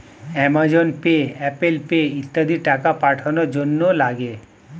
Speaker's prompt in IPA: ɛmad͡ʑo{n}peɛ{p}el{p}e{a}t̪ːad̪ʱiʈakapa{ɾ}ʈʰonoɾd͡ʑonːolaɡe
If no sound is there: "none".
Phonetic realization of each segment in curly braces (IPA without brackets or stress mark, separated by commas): n, p, p, i, none